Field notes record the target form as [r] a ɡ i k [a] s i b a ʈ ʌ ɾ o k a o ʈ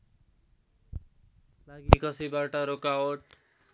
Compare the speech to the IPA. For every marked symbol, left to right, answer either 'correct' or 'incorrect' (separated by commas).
incorrect, incorrect